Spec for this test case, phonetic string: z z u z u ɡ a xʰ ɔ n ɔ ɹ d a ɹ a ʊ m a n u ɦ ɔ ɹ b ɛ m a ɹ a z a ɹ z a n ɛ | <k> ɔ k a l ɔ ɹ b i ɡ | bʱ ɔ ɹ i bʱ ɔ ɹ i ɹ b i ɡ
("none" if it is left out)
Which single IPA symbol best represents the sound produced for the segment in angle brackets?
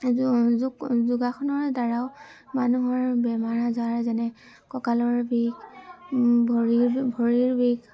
k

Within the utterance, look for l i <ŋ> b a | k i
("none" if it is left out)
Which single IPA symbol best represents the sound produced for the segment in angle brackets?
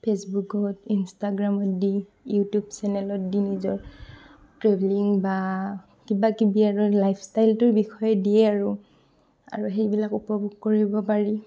ŋ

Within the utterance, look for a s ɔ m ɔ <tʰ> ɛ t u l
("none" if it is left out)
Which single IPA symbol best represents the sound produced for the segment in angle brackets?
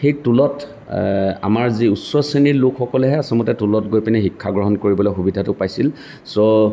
t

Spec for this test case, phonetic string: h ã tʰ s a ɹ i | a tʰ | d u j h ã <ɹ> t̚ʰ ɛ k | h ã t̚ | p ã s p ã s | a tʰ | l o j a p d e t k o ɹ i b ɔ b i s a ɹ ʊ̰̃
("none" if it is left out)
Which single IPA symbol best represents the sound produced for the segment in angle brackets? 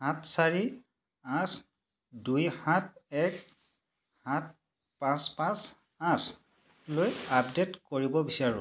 none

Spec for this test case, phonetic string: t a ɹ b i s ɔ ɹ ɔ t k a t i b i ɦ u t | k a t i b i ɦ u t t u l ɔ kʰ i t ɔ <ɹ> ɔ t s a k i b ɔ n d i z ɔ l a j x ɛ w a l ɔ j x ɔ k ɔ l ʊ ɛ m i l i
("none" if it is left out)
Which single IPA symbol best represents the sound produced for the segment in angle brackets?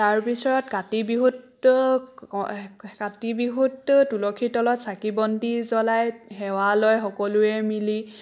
l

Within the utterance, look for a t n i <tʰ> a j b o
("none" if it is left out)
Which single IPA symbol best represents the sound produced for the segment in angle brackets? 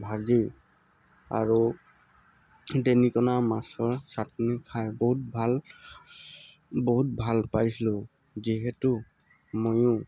kʰ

